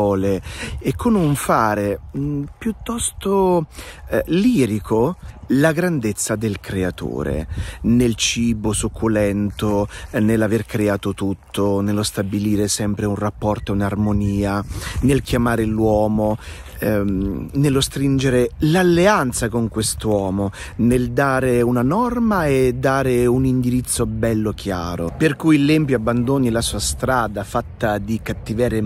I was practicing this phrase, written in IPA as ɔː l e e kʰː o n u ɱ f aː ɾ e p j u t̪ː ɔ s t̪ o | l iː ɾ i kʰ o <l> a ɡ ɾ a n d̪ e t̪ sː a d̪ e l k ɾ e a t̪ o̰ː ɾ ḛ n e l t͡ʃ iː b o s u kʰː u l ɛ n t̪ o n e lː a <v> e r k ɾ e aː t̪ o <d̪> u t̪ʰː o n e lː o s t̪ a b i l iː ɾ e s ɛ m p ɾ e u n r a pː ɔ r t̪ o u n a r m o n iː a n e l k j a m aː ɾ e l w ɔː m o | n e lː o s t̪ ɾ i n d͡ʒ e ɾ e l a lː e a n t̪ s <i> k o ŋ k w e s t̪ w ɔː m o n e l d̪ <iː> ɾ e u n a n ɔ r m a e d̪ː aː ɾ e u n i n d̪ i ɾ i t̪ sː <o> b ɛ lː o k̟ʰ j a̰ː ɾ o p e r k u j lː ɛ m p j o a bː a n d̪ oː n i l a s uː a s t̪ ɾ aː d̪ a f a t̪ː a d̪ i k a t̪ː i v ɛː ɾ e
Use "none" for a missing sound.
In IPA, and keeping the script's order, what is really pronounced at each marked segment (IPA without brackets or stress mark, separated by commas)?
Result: l, v, t̪, a, aː, o